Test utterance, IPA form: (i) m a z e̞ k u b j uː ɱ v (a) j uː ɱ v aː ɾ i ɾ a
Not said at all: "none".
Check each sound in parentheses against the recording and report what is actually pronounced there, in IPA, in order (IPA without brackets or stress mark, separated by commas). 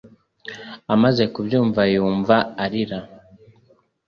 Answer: a, a